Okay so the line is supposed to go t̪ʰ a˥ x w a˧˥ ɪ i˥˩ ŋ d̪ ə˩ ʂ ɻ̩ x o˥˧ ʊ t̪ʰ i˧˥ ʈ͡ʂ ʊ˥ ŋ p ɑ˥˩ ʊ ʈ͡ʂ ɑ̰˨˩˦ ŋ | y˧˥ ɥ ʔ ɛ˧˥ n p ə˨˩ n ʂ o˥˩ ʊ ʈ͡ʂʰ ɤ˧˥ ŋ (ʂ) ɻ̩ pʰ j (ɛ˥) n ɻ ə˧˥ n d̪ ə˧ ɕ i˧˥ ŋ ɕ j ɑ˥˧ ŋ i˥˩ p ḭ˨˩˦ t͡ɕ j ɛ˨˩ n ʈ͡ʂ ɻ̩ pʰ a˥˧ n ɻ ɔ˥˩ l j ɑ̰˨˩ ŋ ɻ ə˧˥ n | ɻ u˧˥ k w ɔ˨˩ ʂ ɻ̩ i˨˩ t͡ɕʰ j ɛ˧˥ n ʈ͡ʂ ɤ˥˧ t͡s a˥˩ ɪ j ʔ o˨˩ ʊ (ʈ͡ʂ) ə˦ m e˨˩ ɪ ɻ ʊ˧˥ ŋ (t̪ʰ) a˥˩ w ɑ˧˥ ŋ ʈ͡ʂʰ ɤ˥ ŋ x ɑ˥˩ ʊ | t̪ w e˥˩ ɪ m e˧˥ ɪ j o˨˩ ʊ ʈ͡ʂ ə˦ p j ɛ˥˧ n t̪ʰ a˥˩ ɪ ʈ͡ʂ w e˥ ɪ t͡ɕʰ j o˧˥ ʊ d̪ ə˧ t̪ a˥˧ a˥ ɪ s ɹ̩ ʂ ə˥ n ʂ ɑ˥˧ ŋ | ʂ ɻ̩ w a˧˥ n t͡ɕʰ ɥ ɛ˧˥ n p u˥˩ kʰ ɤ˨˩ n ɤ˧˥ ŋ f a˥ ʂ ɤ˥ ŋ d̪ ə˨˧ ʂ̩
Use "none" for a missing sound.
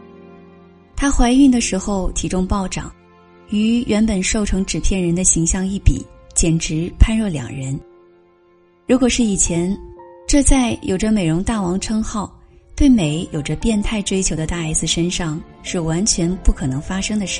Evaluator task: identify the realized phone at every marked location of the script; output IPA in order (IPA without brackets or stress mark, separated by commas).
ʈ͡ʂ, ɛ˥˩, ʈ͡ʂ, t̪